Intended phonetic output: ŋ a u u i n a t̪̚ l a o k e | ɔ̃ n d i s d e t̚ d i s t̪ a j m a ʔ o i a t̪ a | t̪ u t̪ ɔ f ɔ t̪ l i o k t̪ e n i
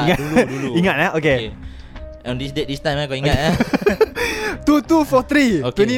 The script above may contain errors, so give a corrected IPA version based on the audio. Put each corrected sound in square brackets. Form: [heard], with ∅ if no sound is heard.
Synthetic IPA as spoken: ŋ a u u i [ŋ] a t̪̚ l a o k e | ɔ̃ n d i s d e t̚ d i s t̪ a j m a [k] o i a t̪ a | t̪ u t̪ [u] f ɔ t̪ [ɾ] i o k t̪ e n i